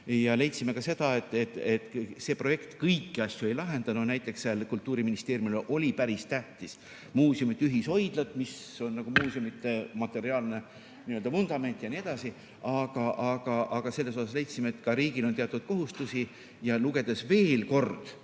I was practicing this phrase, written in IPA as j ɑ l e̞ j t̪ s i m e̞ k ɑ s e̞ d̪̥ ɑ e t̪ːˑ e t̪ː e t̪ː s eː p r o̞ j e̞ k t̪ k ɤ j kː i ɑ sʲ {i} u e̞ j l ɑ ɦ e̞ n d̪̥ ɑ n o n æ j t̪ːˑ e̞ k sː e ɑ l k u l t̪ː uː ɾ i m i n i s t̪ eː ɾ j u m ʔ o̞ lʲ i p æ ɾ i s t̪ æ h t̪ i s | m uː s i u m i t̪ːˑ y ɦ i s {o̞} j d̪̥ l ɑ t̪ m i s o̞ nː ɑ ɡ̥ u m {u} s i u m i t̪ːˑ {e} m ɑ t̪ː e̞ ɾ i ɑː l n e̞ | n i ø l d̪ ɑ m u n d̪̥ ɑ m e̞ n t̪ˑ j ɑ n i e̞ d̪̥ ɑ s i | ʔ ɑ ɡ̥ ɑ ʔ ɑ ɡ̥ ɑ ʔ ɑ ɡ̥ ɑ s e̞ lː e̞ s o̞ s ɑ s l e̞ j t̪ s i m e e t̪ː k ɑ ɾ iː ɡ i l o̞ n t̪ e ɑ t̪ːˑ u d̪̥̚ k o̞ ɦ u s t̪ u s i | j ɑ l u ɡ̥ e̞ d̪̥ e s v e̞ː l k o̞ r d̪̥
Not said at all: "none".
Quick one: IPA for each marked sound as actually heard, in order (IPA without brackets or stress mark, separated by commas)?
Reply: j, o̞, uː, e